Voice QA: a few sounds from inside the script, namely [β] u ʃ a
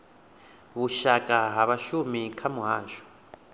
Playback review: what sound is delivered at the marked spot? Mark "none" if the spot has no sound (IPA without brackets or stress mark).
β